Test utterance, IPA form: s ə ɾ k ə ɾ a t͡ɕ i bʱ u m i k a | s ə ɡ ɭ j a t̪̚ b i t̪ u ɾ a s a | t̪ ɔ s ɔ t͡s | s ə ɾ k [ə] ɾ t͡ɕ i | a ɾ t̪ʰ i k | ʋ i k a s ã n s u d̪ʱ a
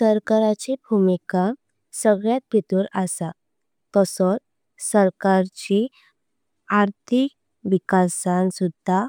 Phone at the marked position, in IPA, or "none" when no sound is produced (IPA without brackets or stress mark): a